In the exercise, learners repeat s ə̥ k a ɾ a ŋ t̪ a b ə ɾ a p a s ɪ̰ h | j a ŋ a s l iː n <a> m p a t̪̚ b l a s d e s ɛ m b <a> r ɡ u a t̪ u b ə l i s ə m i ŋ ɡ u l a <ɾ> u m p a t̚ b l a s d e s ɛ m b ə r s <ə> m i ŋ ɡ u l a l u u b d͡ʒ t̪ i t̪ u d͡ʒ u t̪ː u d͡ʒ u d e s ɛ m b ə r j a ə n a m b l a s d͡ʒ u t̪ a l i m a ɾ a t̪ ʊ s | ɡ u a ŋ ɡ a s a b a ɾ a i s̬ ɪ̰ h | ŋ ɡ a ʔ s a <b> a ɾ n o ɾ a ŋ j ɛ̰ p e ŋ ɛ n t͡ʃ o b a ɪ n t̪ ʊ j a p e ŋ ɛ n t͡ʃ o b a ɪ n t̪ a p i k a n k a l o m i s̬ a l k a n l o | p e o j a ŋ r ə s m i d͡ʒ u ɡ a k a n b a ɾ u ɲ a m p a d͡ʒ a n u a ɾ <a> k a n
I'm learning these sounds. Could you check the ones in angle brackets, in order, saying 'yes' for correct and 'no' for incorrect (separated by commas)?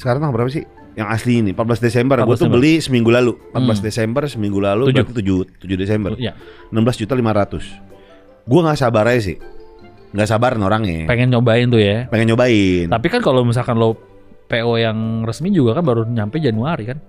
no, no, no, yes, yes, no